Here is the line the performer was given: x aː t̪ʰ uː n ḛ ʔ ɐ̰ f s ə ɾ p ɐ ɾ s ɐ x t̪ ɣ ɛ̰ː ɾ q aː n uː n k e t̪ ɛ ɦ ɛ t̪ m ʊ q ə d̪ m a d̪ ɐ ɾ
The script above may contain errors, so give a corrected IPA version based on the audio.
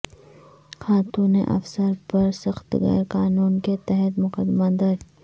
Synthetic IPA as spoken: x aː t̪ uː n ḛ ʔ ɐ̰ f s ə ɾ p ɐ ɾ s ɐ x t̪ ɣ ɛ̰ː ɾ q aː n uː n k e t̪ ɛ ɦ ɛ t̪ m ʊ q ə d̪ m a d̪ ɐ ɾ

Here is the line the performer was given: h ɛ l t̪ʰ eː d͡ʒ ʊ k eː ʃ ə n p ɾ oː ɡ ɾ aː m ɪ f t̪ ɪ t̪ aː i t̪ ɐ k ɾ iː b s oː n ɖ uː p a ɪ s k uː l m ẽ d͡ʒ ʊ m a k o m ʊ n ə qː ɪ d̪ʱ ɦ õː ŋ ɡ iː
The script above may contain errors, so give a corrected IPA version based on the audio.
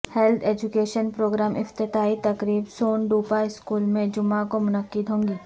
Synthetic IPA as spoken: h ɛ l t̪ʰ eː d͡ʒ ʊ k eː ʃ ə n p ɾ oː ɡ ɾ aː m ɪ f t̪ ɪ t̪ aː i t̪ ɐ k ɾ iː b s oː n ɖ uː p a ɪ s k uː l m ẽ d͡ʒ ʊ m a k o m ʊ n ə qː ɪ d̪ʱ ɦ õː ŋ ɡ iː

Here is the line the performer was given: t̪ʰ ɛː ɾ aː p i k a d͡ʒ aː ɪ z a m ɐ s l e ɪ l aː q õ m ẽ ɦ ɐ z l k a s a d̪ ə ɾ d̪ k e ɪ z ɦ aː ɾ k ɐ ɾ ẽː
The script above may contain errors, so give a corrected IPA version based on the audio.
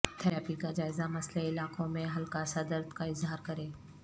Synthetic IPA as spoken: t̪ʰ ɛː ɾ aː p i k a d͡ʒ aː ɪ z a m ɐ s l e ɪ l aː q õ m ẽ ɦ ɐ l k a s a d̪ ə ɾ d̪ k a ɪ z ɦ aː ɾ k ɐ ɾ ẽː

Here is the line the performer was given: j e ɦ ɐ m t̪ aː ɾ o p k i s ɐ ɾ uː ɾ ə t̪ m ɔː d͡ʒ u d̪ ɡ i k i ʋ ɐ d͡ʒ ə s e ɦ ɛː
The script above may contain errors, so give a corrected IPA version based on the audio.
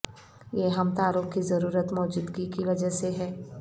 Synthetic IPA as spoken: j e ɦ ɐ m t̪ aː ɾ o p k i z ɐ ɾ uː ɾ ə t̪ m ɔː d͡ʒ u d̪ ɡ i k i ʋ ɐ d͡ʒ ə s e ɦ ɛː

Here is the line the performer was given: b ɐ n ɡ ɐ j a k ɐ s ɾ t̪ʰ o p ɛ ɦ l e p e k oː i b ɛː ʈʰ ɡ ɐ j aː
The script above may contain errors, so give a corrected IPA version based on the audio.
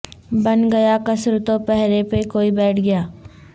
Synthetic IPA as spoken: b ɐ n ɡ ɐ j a k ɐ s ɾ t̪ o p ɛ ɦ ɾ e p e k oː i b ɛː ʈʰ ɡ ɐ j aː

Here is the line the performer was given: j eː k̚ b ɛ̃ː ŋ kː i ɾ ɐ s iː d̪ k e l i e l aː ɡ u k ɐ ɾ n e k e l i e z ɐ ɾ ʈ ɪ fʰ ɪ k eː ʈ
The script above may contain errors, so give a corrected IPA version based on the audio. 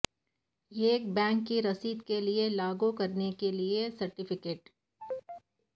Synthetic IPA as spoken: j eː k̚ b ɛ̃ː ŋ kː i ɾ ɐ s iː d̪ k e l i e l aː ɡ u k ɐ ɾ n e k e l i e s ɐ ɾ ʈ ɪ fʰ ɪ k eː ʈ

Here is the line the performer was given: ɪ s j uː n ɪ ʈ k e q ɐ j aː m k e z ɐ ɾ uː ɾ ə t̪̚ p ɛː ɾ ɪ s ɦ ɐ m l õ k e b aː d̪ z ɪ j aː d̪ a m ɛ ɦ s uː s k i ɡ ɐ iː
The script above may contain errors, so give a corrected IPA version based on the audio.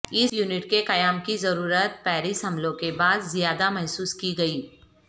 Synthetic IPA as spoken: ɪ s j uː n ɪ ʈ k e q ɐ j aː m k i z ɐ ɾ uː ɾ ə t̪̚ p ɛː ɾ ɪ s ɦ ɐ m l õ k e b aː d̪ z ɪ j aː d̪ a m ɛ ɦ s uː s k i ɡ ɐ iː

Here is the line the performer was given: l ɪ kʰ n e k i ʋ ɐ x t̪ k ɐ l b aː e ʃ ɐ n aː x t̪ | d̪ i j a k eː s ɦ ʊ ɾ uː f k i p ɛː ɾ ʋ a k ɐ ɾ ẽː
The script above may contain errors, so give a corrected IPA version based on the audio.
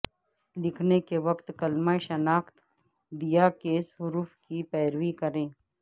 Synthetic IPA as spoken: l ɪ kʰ n e k e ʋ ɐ k t̪ k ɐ l m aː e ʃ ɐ n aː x t̪ | d̪ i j a k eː s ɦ ʊ ɾ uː f k i p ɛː ɾ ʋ i k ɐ ɾ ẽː

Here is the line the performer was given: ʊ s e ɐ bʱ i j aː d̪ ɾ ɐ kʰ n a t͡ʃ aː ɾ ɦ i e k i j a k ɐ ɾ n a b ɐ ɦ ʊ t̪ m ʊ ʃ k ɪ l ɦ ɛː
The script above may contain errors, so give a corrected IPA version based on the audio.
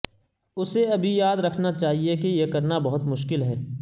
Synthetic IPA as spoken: ʊ s e ɐ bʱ i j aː d̪ ɾ ɐ kʰ n a t͡ʃ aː ɦ i e k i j e k ɐ ɾ n a b ɐ ɦ ʊ t̪ m ʊ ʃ k ɪ l ɦ ɛː

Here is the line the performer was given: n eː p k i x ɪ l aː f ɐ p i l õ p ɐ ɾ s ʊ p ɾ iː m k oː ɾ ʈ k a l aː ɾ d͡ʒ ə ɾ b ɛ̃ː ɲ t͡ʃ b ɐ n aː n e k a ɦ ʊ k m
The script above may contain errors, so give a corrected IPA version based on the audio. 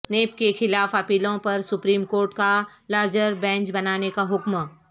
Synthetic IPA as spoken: n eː p k e x ɪ l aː f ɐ p iː l õ p ɐ ɾ s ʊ p ɾ iː m k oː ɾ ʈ k a l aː ɾ d͡ʒ ə ɾ b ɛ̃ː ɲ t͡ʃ b ɐ n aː n e k a ɦ ʊ k m

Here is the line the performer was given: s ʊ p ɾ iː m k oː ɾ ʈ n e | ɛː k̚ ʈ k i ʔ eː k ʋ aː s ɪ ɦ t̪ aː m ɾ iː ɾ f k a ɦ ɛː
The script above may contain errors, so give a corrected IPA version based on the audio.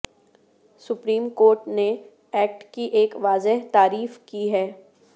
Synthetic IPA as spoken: s ʊ p ɾ iː m k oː ɾ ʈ n e | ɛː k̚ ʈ k i ʔ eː k ʋ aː z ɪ ɦ t̪ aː ɾ iː f k i ɦ ɛː

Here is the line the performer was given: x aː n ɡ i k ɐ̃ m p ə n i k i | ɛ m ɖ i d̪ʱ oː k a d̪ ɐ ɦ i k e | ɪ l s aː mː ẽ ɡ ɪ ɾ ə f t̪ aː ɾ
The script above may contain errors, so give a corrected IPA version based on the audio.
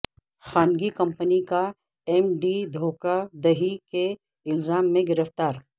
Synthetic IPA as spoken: x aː n ɡ i k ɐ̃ m p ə n i k a | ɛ m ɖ i d̪ʱ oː k a d̪ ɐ ɦ i k e | ɪ l z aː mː ẽ ɡ ɪ ɾ ə f t̪ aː ɾ

